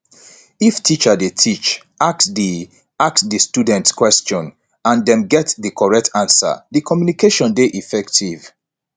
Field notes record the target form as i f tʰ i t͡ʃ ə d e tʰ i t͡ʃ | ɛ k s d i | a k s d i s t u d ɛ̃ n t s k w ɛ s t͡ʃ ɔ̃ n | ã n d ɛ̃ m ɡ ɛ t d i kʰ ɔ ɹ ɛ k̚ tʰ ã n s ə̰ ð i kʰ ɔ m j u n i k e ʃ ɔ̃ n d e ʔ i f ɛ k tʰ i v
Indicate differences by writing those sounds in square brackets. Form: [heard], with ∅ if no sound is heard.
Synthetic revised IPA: i f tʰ i t͡ʃ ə d e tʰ i t͡ʃ | [a] k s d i | a k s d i s t u d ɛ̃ n t s k w ɛ s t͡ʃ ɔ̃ n | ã n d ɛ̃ m ɡ ɛ t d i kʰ ɔ ɹ ɛ k̚ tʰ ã n s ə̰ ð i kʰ ɔ m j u n i k e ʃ ɔ̃ n d e ʔ i f ɛ k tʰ i v

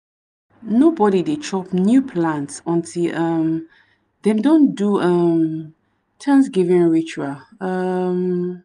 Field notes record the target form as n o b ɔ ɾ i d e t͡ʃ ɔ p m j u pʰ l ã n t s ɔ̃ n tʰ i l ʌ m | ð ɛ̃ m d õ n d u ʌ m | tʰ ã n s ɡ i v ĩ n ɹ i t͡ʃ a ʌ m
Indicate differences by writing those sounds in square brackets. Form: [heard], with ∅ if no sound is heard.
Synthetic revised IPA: n o b ɔ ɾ i d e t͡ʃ ɔ p [n] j u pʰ l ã n t s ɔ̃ n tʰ i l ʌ m | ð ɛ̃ m d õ n d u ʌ m | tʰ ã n s ɡ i v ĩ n ɹ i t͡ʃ a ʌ m

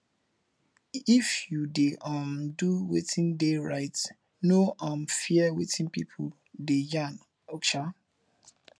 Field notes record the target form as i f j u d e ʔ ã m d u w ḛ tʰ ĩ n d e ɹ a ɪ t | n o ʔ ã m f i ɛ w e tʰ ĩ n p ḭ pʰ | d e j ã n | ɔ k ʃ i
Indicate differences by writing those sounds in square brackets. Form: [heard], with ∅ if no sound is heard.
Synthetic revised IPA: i f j u d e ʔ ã m d u w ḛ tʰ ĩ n d e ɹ a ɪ t | n o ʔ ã m f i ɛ w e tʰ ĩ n p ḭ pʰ | d e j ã n | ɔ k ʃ [a]

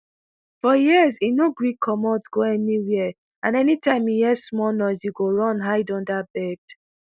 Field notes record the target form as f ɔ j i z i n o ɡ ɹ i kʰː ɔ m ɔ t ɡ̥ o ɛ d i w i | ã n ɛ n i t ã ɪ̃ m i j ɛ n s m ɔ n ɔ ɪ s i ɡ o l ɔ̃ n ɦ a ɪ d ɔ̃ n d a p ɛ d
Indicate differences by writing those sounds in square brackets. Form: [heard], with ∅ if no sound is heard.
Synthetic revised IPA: f ɔ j i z i n o ɡ ɹ i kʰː ɔ m ɔ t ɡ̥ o ɛ [n] i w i | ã n ɛ n i t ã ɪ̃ m i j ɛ [∅] s m ɔ n ɔ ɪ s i ɡ o [ɹ] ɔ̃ n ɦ a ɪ d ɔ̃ n d a [b] ɛ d

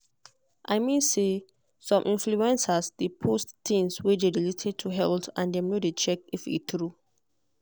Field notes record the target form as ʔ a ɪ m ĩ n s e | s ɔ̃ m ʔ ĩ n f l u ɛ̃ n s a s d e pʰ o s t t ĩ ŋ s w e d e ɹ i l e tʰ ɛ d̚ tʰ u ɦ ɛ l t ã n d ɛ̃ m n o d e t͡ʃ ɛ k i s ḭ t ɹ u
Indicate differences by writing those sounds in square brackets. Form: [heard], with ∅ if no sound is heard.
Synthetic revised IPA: ʔ a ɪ m ĩ n s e | s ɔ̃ m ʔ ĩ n f l u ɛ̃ n s a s d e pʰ o s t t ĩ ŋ s w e d e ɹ i l e tʰ ɛ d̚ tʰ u ɦ ɛ l t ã n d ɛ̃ m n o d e t͡ʃ ɛ k i [f] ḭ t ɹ u

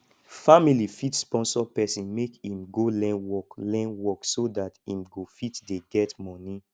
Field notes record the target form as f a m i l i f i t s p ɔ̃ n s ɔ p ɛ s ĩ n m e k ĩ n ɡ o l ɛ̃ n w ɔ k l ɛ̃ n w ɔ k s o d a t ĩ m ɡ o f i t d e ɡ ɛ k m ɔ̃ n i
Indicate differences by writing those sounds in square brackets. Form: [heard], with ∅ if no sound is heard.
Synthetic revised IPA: f a m i l i f i t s p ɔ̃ n s ɔ p ɛ s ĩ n m e k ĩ [m] ɡ o l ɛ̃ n w ɔ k l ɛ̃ n w ɔ k s o d a t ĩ m ɡ o f i t d e ɡ ɛ [t] m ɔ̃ n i

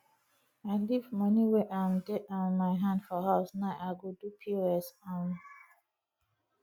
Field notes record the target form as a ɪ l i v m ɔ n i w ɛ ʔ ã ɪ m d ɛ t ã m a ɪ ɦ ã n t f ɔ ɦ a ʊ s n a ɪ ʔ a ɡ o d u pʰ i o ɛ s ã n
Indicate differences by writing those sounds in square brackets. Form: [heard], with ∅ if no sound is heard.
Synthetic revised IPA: a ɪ l i v m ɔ n i w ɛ ʔ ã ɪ m d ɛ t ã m a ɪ ɦ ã n [d] f ɔ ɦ a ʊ s n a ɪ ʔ a ɡ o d u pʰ i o ɛ s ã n

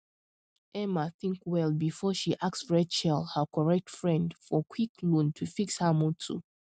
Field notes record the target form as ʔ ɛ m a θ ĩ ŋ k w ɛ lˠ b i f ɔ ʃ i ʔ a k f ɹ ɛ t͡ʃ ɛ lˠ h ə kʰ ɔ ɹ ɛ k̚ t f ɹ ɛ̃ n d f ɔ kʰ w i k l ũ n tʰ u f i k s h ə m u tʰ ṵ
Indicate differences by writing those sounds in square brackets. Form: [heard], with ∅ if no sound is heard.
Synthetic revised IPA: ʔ ɛ m a θ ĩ ŋ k w ɛ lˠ b i f ɔ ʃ i ʔ a k [s] ɹ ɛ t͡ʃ ɛ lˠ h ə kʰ ɔ ɹ ɛ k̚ t f ɹ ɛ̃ n d f ɔ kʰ w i k l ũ n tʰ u f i k s h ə m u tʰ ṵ

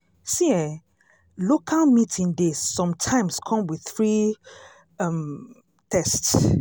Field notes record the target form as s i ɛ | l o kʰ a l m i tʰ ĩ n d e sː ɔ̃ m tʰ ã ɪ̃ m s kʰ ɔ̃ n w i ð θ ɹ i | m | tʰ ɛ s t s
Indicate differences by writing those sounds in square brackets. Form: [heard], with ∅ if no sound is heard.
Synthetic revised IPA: s i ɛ | l o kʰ a l m i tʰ ĩ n d e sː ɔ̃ m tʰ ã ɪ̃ m s kʰ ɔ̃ [m] w i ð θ ɹ i | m | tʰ ɛ s t s

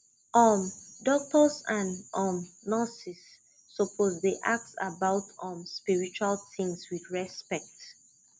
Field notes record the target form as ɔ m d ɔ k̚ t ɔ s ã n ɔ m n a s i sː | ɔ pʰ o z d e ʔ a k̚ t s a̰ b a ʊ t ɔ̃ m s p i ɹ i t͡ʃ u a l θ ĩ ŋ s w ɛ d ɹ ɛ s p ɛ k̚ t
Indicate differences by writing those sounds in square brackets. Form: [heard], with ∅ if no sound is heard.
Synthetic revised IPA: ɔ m d ɔ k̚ t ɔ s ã n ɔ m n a s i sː | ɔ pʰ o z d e ʔ a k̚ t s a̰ b a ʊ t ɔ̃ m s p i ɹ i t͡ʃ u a l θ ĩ ŋ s w [i] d ɹ ɛ s p ɛ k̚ t

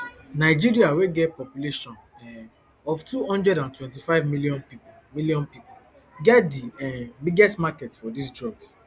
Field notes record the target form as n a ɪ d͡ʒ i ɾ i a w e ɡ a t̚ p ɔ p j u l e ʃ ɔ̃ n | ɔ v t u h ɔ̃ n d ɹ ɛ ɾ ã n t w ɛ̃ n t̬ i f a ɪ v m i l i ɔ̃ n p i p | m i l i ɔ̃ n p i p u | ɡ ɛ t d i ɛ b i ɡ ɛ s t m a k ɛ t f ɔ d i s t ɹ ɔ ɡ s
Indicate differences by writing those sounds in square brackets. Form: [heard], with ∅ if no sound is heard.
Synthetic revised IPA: n a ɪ d͡ʒ i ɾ i a w e ɡ [ɛ] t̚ p ɔ p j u l e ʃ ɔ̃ n | ɔ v t u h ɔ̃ n d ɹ ɛ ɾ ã n t w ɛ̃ n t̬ i f a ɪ v m i l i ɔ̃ n p i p | m i l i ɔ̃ n p i p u | ɡ ɛ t d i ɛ b i ɡ ɛ s t m a k ɛ t f ɔ d i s [d] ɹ ɔ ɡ s

